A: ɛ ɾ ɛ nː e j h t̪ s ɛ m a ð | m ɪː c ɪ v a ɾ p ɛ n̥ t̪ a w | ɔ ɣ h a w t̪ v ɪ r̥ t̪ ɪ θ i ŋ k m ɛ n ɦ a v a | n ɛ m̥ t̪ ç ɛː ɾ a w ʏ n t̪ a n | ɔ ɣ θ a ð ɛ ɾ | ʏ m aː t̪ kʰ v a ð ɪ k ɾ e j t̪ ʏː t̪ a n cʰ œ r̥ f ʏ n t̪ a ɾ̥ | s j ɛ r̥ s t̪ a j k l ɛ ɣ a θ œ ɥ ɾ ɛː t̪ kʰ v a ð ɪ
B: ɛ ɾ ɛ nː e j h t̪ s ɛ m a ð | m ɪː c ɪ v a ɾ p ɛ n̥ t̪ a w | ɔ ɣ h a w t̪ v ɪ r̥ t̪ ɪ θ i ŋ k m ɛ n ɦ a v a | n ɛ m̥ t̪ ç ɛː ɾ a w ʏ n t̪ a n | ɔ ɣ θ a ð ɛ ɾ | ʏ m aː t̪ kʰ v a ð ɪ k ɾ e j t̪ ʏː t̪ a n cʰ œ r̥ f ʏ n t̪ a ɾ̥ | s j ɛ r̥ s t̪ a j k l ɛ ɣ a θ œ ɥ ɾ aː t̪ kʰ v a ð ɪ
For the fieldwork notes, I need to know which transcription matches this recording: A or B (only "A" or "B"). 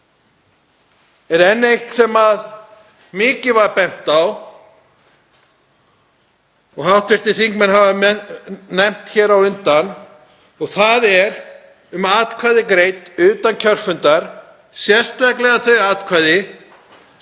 B